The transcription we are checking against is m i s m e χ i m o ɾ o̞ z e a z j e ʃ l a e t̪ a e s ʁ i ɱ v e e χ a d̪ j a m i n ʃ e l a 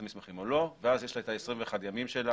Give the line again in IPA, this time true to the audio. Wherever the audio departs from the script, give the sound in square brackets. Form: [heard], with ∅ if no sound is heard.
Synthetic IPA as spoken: m i s m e χ i m o [l] o̞ [v] e a z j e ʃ l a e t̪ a e s ʁ i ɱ v e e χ a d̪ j a m i [m] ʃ e l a